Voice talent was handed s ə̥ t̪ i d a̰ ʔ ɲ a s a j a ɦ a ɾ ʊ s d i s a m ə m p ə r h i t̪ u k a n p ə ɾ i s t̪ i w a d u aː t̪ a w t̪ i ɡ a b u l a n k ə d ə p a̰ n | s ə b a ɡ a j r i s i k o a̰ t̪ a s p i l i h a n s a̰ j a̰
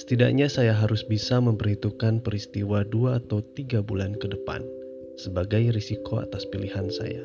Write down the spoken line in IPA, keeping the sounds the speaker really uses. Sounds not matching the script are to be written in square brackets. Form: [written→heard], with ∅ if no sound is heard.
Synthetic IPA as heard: s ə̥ t̪ i d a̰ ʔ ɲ a s a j a ɦ a ɾ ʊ s [d→b] i s a m ə m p ə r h i t̪ u k a n p ə ɾ i s t̪ i w a d u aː t̪ a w t̪ i ɡ a b u l a n k ə d ə p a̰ n | s ə b a ɡ a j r i s i k o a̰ t̪ a s p i l i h a n s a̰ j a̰